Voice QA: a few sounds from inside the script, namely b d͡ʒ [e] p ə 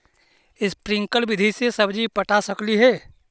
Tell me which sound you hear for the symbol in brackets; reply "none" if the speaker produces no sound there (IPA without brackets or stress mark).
i